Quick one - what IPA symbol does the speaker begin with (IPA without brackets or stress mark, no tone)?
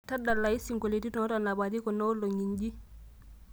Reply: t